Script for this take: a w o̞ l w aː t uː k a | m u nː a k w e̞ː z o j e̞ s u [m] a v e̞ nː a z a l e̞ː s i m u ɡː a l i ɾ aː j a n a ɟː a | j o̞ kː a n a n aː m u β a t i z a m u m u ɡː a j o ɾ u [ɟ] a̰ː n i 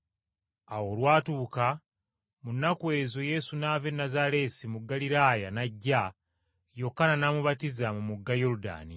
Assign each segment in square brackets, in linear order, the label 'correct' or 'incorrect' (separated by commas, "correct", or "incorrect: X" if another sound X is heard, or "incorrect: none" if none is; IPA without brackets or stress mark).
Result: incorrect: n, incorrect: d